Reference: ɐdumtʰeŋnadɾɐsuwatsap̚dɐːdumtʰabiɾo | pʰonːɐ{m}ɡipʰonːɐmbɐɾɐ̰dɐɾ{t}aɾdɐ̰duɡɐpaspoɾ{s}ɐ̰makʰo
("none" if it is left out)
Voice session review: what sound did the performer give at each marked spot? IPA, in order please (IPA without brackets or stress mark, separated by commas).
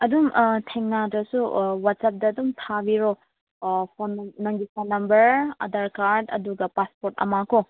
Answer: ŋ, k, t